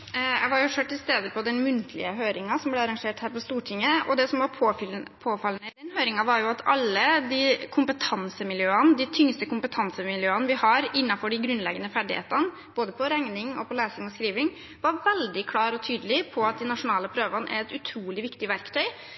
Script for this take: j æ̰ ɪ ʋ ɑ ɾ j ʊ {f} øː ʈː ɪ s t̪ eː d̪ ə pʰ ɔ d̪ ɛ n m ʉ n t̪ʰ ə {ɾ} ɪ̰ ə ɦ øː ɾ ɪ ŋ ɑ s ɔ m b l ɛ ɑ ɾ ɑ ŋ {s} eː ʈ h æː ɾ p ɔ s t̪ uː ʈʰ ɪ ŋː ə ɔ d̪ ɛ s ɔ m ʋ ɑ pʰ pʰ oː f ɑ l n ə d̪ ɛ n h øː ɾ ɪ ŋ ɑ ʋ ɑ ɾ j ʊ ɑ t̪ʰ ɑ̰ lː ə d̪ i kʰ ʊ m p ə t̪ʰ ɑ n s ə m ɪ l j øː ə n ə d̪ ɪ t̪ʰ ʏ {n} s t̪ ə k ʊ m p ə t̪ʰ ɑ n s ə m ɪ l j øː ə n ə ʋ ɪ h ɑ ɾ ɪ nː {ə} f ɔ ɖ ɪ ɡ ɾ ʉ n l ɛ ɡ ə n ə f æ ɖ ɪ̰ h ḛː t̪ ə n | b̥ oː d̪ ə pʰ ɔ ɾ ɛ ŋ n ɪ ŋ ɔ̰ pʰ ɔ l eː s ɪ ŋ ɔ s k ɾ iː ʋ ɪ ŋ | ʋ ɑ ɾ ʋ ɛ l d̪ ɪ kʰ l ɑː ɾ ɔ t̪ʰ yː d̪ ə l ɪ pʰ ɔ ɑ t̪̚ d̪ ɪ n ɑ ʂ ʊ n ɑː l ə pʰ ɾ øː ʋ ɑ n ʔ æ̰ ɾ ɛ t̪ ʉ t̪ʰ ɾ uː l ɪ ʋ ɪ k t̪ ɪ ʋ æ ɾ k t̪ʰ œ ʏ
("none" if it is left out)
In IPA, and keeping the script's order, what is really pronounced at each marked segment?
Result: ʂ, l, ʂ, ŋ, ɑ

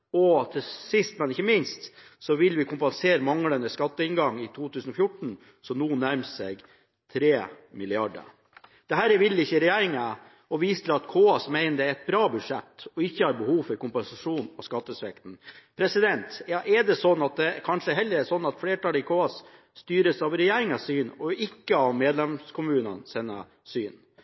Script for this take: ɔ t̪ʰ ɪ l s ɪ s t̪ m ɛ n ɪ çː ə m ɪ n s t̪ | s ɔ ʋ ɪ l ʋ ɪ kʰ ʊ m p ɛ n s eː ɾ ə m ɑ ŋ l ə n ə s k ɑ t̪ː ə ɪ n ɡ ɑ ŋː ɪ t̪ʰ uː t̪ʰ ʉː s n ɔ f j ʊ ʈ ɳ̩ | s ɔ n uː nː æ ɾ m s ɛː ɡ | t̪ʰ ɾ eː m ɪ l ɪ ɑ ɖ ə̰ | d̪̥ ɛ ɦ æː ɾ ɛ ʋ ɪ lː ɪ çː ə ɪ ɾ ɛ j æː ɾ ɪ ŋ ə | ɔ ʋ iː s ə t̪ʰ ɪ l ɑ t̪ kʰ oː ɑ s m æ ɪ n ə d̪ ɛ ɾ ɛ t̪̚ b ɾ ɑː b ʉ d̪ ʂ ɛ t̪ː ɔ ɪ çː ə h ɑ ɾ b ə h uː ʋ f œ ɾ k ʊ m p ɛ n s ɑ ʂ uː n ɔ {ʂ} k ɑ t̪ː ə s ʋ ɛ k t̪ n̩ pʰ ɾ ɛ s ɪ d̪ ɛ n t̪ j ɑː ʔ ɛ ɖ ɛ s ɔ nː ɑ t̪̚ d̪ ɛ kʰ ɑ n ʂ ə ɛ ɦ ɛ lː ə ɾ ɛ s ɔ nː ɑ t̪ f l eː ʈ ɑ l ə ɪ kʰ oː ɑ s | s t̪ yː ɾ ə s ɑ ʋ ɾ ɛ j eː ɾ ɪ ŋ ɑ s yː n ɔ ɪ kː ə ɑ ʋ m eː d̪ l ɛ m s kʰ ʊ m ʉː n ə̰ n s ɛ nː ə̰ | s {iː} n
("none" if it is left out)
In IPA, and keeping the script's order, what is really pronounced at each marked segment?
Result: s, yː

